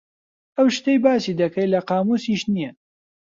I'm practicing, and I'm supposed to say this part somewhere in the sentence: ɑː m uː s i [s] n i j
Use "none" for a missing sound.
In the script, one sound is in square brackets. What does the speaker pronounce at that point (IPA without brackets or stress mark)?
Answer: ʃ